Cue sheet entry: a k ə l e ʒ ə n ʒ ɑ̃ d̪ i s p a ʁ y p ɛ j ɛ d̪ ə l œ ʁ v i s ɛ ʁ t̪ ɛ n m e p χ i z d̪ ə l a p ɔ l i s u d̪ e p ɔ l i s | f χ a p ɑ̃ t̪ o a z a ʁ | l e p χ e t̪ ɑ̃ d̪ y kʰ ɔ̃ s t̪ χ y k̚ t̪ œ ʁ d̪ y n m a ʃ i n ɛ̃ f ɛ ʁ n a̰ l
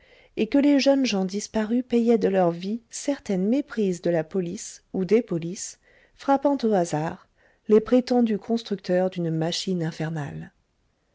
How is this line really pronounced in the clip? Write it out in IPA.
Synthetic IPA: e k ə l e ʒ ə n ʒ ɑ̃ d̪ i s p a ʁ y p ɛ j ɛ d̪ ə l œ ʁ v i s ɛ ʁ t̪ ɛ n m e p χ i z d̪ ə l a p ɔ l i s u d̪ e p ɔ l i s | f χ a p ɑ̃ t̪ o a z a ʁ | l e p χ e t̪ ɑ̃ d̪ y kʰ ɔ̃ s t̪ χ y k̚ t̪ œ ʁ d̪ y n m a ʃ i n ɛ̃ f ɛ ʁ n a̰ l